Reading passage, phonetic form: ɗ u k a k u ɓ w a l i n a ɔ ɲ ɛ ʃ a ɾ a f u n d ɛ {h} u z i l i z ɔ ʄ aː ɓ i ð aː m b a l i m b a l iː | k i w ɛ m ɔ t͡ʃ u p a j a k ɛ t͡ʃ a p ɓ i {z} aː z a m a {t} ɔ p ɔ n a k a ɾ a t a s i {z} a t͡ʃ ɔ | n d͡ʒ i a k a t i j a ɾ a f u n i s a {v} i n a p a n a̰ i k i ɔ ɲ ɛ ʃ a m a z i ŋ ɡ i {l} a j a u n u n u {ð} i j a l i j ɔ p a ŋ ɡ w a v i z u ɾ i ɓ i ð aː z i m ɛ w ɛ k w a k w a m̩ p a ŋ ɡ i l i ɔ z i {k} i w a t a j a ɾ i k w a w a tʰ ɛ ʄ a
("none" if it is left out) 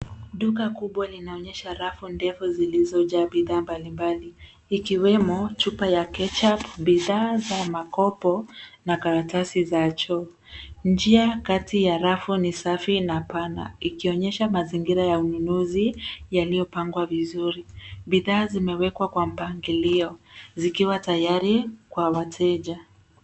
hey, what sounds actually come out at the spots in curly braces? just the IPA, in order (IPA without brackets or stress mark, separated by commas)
f, ð, k, z, f, ɾ, z, k